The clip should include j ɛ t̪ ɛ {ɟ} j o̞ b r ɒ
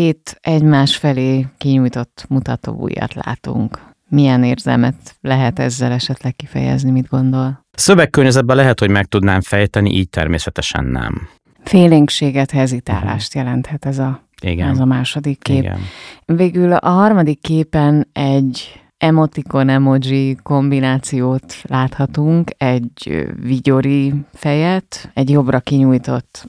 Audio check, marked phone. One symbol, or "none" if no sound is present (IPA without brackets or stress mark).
ɟ